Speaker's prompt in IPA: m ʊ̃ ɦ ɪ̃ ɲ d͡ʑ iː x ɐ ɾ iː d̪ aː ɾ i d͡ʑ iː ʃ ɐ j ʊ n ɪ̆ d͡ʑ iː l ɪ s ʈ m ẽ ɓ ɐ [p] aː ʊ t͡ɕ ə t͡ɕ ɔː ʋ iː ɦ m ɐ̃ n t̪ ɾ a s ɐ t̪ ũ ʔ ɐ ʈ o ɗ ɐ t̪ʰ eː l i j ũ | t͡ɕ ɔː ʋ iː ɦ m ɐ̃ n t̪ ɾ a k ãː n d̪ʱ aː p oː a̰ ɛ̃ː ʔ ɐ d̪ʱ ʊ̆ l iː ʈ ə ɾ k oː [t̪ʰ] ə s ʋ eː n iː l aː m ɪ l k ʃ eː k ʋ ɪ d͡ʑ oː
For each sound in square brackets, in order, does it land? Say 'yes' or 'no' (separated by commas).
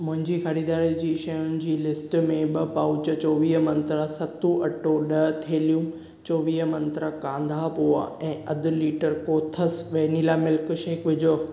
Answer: yes, yes